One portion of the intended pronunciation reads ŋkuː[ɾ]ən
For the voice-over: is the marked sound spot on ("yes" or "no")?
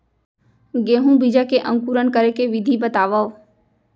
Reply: yes